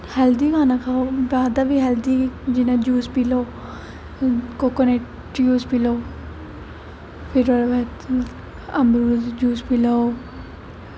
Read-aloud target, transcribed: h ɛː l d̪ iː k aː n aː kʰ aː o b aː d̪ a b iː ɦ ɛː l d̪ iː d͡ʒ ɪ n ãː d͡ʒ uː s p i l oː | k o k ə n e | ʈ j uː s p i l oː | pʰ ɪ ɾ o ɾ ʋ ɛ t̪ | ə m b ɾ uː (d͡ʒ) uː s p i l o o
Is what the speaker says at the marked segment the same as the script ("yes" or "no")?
yes